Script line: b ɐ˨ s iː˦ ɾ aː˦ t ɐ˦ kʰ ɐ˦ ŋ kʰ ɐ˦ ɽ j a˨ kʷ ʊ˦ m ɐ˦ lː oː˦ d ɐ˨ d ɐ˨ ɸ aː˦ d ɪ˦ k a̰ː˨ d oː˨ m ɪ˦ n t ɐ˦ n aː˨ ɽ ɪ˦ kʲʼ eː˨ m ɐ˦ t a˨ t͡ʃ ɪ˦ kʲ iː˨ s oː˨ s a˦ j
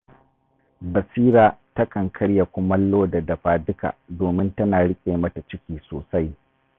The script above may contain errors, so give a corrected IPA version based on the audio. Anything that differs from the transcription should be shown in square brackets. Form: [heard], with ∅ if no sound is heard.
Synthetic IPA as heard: b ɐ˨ s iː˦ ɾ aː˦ t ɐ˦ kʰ [ɐ˨] ŋ kʰ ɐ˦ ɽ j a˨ kʷ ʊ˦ m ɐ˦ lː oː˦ d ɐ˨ d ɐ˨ ɸ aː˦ d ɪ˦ k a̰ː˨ d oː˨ m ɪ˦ n t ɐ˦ n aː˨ ɽ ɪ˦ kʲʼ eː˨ m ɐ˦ t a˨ t͡ʃ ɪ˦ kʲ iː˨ s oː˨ s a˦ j

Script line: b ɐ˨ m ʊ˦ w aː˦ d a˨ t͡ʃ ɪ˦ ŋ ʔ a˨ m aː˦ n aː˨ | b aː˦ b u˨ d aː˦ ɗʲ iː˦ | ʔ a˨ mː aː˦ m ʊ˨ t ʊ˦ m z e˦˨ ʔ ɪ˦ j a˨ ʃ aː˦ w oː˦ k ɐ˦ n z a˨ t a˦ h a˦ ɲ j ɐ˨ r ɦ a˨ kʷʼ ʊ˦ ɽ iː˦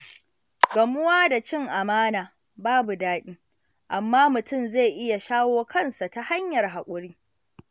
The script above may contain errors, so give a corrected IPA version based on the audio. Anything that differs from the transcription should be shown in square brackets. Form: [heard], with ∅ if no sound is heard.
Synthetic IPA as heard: [ɡ] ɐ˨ m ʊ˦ w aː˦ d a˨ t͡ʃ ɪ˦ ŋ ʔ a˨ m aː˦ n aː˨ | b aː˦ b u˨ d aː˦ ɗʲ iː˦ | ʔ a˨ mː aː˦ m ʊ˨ t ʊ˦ m z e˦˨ ʔ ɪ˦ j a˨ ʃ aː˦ w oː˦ k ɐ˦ n [s] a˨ t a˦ h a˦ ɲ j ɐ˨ r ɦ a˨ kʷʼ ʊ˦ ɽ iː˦

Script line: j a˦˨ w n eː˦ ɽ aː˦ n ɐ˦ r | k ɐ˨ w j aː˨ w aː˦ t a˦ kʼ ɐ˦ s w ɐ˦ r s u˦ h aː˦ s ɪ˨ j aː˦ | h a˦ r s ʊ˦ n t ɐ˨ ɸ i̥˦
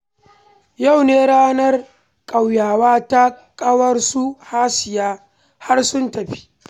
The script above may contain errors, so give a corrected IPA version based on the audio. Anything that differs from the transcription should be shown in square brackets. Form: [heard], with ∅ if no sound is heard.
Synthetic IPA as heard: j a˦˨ w n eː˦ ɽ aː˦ n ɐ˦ r | [kʼ] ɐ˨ w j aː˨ w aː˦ t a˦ kʼ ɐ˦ [∅] w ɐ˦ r s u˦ h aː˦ s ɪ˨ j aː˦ | h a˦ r s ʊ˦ n t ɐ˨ ɸ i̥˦

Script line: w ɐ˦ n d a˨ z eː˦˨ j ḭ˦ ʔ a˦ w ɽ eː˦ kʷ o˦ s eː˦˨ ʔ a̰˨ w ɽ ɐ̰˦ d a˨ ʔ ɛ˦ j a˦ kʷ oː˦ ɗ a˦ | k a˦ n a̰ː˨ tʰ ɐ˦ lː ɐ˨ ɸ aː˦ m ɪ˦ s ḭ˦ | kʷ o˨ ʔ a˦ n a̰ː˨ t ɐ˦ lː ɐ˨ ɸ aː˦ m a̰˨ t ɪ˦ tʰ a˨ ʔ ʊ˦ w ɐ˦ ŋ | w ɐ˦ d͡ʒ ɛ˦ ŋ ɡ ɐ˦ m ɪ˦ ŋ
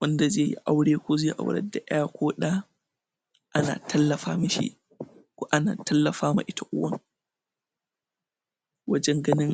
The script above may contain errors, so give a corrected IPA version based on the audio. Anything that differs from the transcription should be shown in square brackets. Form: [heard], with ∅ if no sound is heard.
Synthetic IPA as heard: w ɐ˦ n d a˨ z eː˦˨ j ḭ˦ ʔ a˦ w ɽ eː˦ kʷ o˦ [z] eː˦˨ ʔ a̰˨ w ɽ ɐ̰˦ d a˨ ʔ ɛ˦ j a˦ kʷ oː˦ ɗ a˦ | [ʔ] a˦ n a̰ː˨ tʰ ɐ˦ lː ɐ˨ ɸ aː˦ m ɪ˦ [ʃ] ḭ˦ | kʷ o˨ ʔ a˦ n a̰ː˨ t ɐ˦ lː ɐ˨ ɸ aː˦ m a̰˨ [ʔ] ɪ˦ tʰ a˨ ʔ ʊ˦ w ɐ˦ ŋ | w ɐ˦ d͡ʒ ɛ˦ ŋ ɡ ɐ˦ [n] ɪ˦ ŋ

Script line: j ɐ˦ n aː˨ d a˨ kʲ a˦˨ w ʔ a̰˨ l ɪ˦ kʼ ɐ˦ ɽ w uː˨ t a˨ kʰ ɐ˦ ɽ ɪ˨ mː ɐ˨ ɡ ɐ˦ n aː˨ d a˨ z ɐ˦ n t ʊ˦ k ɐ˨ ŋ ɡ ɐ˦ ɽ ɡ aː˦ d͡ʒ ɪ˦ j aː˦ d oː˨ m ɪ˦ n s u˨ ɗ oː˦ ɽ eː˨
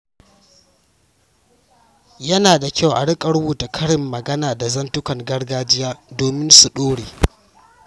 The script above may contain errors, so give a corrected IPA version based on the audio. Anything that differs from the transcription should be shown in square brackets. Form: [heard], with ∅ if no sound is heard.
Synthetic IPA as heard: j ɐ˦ n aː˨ d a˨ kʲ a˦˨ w ʔ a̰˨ [ɽ] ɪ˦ kʼ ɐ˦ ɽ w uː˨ t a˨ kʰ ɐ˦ ɽ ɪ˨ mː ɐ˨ ɡ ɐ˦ n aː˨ d a˨ z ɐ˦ n t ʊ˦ k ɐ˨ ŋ ɡ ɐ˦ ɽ ɡ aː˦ d͡ʒ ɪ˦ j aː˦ d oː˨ m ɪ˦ n s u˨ ɗ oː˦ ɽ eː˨

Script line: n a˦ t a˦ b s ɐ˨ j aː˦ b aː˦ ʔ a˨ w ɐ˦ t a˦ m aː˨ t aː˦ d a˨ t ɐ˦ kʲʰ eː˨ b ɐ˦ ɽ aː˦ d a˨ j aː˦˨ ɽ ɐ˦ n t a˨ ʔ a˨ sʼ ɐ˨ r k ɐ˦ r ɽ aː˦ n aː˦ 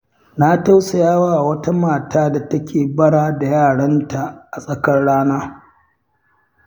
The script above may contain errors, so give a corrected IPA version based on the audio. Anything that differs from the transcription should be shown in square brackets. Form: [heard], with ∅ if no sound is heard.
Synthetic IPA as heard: n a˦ t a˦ [w] s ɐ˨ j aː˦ [w] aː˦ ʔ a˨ w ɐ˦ t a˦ m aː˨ t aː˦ d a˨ t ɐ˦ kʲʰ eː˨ b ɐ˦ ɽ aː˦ d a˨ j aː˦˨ ɽ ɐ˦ n t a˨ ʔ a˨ sʼ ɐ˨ [∅] k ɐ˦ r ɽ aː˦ n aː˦

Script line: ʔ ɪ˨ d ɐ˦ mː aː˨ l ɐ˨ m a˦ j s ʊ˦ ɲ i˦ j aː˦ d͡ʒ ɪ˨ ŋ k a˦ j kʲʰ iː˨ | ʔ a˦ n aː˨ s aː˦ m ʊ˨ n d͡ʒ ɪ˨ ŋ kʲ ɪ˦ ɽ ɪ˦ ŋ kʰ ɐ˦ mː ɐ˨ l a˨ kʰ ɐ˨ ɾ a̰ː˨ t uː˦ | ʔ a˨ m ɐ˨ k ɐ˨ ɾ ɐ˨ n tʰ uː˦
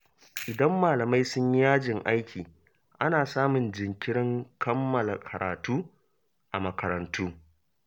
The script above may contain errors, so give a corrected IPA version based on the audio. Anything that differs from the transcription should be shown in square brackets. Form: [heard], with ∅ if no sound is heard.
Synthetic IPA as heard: ʔ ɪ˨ d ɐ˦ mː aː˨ l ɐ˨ m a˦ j s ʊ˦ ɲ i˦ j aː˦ d͡ʒ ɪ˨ ŋ [ʔ] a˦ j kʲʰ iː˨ | ʔ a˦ n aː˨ s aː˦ m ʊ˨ n d͡ʒ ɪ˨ ŋ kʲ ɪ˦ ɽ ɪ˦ ŋ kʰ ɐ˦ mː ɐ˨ l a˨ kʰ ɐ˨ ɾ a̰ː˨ t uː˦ | ʔ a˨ m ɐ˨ k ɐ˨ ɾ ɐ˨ n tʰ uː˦

